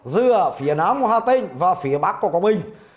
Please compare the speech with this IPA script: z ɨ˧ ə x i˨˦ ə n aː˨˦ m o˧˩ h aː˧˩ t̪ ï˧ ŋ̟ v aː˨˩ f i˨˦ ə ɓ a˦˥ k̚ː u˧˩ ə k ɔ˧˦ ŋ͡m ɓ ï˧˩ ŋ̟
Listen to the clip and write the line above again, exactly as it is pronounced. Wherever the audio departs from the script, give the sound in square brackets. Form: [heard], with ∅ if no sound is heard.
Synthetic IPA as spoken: z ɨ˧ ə [f] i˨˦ ə n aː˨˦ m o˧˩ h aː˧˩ t̪ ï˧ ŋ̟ v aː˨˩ f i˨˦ ə ɓ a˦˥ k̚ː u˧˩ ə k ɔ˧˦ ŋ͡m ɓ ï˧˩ ŋ̟